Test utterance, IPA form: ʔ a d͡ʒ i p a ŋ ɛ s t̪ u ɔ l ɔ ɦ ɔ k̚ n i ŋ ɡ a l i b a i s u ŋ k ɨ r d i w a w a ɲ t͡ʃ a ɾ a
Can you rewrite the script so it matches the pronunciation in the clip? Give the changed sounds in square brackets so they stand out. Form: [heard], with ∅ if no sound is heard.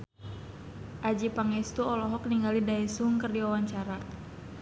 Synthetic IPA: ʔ a d͡ʒ i p a ŋ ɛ s t̪ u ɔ l ɔ ɦ ɔ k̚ n i ŋ ɡ a l i [d] a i s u ŋ k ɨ r d i w a w a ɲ t͡ʃ a ɾ a